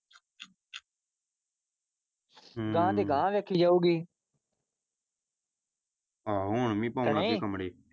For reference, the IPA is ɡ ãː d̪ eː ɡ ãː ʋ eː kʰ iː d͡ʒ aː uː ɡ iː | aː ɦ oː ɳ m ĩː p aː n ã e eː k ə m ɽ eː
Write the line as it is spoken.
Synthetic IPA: ɡ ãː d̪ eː ɡ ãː ʋ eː kʰ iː d͡ʒ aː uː ɡ iː | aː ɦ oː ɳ m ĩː p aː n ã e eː k ə m ɽ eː